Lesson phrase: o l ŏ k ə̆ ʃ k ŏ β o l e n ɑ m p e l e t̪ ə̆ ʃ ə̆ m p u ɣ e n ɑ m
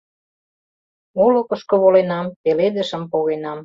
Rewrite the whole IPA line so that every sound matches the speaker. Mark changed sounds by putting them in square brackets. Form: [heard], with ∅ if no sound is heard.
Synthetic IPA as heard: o l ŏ k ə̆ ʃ k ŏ β o l e n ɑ m p e l e [d̪] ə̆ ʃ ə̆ m p [o] ɣ e n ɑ m

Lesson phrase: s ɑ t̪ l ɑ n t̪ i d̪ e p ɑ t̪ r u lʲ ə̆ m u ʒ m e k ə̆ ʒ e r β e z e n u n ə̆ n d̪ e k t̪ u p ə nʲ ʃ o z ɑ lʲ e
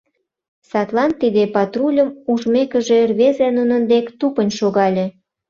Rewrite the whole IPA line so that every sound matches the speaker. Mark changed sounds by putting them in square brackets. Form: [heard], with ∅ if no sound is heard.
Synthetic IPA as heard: s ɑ t̪ l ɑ n t̪ i d̪ e p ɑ t̪ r u lʲ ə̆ m u ʒ m e k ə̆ ʒ e r β e z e n u n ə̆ n d̪ e k t̪ u p ə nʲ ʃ o [ɣ] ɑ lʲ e

